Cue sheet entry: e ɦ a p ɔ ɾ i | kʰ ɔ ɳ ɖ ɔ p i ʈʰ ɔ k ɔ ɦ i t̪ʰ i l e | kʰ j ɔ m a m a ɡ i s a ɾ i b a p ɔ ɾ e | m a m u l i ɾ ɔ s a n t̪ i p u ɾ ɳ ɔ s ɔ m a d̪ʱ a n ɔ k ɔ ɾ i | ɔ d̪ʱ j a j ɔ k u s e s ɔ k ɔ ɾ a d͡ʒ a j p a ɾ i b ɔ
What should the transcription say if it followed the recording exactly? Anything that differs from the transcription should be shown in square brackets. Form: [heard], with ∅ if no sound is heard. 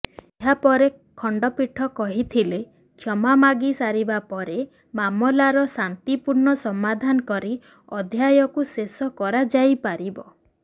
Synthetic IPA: e ɦ a p ɔ ɾ [e] | kʰ ɔ ɳ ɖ ɔ p i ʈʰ ɔ k ɔ ɦ i t̪ʰ i l e | kʰ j ɔ m a m a ɡ i s a ɾ i b a p ɔ ɾ e | m a m [ɔ] l [a] ɾ ɔ s a n t̪ i p u ɾ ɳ ɔ s ɔ m a d̪ʱ a n ɔ k ɔ ɾ i | ɔ d̪ʱ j a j ɔ k u s e s ɔ k ɔ ɾ a d͡ʒ a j p a ɾ i b ɔ